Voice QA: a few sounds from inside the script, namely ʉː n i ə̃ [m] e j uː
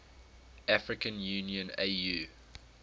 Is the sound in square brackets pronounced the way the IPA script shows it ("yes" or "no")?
no